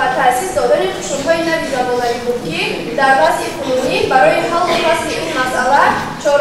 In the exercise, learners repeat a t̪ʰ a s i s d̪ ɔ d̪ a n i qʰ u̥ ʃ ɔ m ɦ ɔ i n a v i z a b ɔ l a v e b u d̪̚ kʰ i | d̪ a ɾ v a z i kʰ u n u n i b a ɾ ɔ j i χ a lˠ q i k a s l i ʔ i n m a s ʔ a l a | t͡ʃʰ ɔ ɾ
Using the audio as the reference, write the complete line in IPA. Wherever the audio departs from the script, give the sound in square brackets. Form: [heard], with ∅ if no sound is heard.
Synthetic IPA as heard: a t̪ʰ a s i s d̪ ɔ d̪ a n i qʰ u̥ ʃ [u] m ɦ ɔ i n a v i z a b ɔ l a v [i] b u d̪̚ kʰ i | d̪ a ɾ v a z i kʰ u n u n i b a ɾ ɔ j i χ a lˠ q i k a s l i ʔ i n m a s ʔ a l a | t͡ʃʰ ɔ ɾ